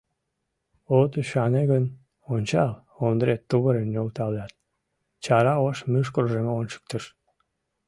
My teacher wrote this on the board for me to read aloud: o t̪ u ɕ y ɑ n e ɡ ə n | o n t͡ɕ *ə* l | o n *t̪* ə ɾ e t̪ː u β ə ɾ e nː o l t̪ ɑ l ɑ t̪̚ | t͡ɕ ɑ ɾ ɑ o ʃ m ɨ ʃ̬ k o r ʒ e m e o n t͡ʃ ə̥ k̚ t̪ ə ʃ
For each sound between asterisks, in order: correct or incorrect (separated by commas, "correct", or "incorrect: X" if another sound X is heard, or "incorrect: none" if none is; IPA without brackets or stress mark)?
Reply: incorrect: ɑ, incorrect: d̪